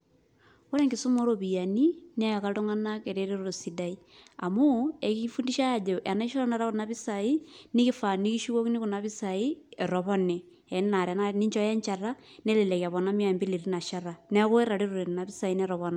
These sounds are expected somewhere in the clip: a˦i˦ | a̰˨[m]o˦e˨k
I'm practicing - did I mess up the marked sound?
no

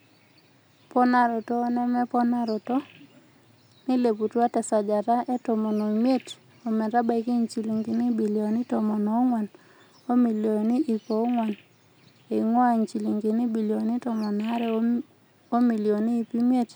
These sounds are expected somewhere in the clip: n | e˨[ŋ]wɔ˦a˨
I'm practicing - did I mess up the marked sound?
no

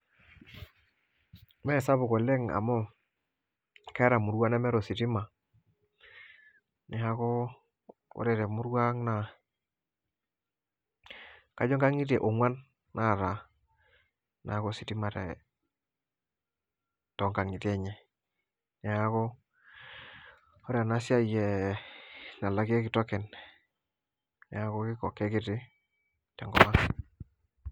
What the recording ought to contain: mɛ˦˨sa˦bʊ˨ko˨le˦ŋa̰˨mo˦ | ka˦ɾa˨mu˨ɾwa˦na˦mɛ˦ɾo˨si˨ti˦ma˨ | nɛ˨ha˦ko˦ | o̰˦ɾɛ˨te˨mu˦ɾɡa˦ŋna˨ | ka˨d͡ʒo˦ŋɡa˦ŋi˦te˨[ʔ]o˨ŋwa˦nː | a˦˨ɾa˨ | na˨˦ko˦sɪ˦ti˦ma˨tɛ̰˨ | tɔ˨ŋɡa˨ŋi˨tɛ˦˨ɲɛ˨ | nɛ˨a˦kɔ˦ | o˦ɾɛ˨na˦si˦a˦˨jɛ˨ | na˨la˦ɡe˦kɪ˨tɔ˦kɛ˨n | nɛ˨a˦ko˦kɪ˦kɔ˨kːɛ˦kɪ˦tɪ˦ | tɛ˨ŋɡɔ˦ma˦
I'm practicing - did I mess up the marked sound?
no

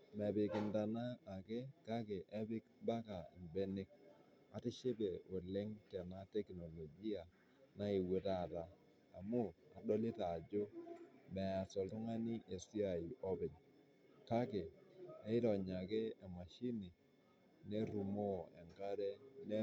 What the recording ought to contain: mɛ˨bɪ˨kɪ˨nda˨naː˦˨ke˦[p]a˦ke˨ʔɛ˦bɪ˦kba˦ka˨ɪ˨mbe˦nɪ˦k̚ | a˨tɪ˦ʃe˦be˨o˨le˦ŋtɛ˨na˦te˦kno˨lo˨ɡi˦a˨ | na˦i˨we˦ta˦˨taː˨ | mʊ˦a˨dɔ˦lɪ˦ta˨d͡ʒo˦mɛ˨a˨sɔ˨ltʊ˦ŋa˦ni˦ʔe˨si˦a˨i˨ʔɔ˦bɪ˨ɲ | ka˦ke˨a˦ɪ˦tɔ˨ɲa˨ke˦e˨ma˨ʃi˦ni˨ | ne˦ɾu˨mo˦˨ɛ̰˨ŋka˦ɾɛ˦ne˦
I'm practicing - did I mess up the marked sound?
yes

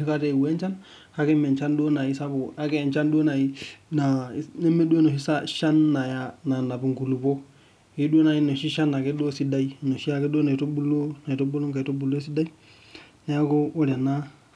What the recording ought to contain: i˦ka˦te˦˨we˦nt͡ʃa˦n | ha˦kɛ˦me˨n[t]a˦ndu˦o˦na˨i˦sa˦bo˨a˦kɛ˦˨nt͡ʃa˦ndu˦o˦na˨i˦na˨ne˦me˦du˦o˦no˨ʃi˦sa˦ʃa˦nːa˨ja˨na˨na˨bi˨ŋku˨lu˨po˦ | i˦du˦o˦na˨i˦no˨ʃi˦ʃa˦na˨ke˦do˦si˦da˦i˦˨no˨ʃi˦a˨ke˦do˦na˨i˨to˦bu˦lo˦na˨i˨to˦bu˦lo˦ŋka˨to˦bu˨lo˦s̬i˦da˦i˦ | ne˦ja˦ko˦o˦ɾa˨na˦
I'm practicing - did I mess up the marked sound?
yes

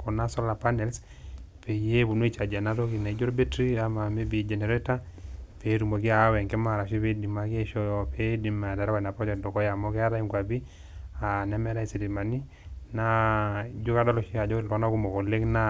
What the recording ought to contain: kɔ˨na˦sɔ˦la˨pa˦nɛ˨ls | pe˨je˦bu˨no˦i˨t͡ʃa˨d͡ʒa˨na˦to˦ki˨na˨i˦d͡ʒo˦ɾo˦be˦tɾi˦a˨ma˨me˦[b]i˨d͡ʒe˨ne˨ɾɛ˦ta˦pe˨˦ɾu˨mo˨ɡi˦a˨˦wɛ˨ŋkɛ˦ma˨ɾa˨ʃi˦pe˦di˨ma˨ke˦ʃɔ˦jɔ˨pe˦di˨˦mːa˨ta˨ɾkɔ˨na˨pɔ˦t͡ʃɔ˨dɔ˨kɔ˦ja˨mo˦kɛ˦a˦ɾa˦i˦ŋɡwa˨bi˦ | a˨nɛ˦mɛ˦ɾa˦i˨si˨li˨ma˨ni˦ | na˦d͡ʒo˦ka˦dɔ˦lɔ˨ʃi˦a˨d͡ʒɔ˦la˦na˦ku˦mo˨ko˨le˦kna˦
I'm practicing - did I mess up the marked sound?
no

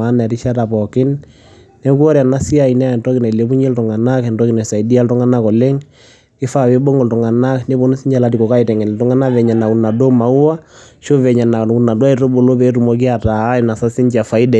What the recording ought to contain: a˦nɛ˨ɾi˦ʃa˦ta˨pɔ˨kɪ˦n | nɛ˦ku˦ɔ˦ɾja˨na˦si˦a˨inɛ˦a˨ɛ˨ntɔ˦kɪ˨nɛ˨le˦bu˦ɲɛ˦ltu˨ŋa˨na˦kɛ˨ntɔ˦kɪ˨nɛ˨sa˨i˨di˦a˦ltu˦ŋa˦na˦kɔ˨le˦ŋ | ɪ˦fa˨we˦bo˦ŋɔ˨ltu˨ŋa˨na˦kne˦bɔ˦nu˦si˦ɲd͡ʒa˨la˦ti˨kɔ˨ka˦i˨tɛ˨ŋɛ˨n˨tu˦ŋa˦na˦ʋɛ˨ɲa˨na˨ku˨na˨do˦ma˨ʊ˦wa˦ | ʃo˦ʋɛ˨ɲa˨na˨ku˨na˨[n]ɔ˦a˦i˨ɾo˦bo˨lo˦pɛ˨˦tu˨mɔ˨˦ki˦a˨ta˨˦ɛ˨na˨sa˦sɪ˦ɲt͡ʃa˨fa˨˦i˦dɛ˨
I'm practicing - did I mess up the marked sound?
yes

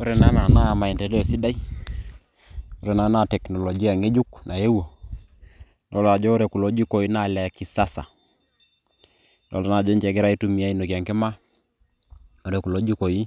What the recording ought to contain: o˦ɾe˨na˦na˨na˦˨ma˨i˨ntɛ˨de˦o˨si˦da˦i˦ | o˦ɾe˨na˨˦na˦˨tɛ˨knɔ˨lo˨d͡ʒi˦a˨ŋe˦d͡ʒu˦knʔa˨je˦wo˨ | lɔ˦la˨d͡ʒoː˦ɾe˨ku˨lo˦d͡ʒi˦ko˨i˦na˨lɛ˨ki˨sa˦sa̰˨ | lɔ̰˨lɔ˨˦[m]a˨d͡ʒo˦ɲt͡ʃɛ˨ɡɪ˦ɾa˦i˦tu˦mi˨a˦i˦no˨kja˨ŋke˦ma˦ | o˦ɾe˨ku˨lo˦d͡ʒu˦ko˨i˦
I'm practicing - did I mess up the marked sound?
yes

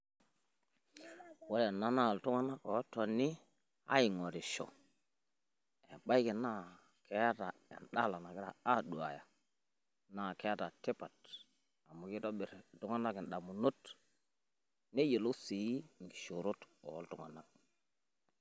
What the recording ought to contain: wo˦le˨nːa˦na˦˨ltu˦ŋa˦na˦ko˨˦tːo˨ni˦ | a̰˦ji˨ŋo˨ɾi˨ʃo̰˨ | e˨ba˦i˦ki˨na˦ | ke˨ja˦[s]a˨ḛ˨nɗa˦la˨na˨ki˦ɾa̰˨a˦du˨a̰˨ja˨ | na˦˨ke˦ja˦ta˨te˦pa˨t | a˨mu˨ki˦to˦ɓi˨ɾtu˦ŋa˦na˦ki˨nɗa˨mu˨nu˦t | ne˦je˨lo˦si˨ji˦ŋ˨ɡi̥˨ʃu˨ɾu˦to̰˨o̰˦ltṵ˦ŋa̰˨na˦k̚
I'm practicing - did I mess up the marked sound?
yes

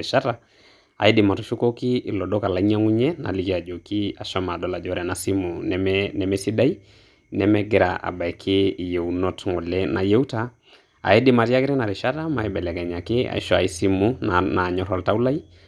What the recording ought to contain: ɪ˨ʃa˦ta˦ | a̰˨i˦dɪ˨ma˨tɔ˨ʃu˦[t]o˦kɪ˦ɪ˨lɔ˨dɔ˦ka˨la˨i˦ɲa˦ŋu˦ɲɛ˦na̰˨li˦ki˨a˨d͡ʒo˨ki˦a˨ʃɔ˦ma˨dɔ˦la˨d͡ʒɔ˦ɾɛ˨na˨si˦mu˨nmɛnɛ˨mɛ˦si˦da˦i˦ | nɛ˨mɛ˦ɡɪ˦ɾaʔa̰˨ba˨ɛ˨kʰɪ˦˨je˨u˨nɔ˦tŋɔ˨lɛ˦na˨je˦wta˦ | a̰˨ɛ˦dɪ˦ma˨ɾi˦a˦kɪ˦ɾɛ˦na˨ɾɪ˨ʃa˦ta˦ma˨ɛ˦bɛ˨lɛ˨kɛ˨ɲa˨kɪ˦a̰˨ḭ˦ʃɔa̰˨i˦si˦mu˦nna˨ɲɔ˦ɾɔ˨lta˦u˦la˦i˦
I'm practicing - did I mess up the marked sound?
yes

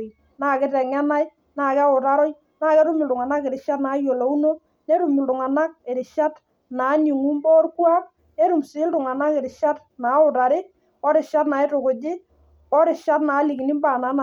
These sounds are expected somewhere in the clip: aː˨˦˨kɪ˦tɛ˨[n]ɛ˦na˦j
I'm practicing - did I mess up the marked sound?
yes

